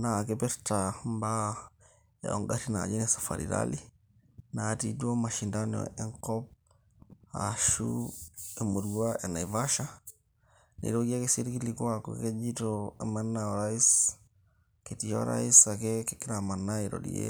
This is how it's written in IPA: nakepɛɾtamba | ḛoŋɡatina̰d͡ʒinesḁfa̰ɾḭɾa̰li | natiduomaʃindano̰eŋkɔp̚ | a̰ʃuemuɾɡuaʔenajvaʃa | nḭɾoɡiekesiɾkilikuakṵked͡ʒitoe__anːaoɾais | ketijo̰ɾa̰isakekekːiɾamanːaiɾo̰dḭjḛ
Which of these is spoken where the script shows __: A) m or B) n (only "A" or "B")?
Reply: A